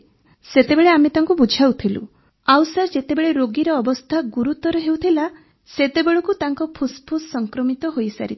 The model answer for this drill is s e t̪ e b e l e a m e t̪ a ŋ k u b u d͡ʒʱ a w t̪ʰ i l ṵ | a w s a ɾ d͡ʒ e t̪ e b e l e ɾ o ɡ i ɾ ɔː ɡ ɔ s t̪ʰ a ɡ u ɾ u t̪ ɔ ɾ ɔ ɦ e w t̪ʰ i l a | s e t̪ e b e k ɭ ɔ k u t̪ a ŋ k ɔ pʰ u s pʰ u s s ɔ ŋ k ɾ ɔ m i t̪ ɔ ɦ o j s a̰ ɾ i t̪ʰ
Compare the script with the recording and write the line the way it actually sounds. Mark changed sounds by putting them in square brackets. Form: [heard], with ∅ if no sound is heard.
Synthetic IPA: s e t̪ e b e [ɭ] e a m e t̪ a ŋ k u b u d͡ʒʱ a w t̪ʰ i l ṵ | a w s a ɾ d͡ʒ e t̪ e b e [ɭ] e ɾ o ɡ i ɾ ɔː [b] ɔ s t̪ʰ a ɡ u ɾ u t̪ ɔ ɾ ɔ ɦ e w t̪ʰ i l a | s e t̪ e b e [∅] ɭ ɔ k u t̪ a ŋ k ɔ pʰ u s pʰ u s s ɔ ŋ k ɾ ɔ m i t̪ ɔ ɦ o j s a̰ ɾ i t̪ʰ